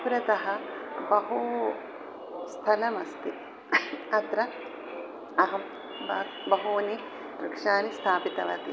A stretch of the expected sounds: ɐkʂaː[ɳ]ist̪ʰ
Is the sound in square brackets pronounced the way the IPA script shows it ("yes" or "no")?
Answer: no